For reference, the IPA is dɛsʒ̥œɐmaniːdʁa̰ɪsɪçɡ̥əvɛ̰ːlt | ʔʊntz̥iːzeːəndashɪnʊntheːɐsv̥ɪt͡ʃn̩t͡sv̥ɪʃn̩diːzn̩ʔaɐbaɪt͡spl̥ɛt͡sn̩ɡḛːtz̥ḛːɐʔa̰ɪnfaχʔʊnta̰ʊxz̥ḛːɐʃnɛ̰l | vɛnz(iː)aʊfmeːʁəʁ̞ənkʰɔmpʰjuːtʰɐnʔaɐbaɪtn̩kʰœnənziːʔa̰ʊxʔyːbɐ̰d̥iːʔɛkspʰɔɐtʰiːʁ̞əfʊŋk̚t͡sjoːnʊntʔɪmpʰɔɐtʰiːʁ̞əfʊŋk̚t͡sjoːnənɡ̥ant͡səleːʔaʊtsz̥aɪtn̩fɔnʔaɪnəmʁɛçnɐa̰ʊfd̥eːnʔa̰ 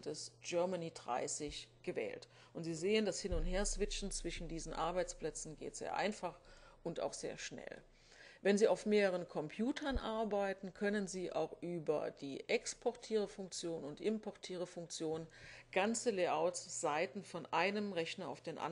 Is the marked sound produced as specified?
yes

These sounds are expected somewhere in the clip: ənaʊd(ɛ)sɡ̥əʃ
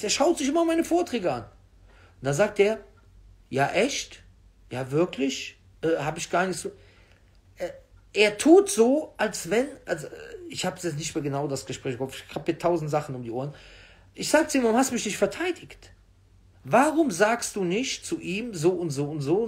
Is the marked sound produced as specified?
no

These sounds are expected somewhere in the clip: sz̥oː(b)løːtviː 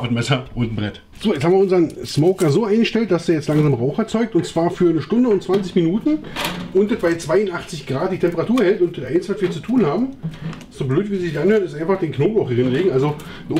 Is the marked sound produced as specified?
yes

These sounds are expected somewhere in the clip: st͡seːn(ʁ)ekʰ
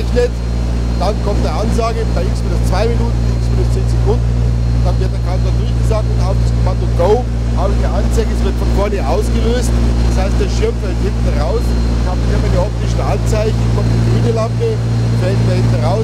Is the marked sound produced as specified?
no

